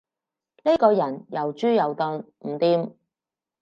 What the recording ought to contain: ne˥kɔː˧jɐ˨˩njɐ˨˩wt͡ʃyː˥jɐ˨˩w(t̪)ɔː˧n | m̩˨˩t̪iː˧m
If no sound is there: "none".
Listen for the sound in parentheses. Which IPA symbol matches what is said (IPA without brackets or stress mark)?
t̪